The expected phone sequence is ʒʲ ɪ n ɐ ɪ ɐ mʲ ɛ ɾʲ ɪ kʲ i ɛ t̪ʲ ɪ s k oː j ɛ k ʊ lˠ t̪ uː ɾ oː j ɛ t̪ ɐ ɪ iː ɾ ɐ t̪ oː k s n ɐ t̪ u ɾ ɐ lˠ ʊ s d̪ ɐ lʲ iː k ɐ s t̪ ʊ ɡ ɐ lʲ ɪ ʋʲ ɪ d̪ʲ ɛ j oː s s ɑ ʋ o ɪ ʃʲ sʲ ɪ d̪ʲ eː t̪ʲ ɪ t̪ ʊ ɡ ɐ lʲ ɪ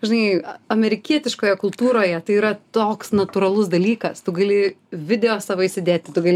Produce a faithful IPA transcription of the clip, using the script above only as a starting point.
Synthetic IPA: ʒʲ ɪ n ɐ ɪ ɐ mʲ ɛ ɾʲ ɪ kʲ i ɛ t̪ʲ ɪ ʃ k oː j ɛ k ʊ lˠ t̪ uː ɾ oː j ɛ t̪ ɐ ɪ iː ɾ ɐ t̪ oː k s n ɐ t̪ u ɾ ɐ lˠ ʊ s d̪ ɐ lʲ iː k ɐ s t̪ ʊ ɡ ɐ lʲ ɪ ʋʲ ɪ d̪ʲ ɛ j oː s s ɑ ʋ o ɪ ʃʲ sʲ ɪ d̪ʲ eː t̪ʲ ɪ t̪ ʊ ɡ ɐ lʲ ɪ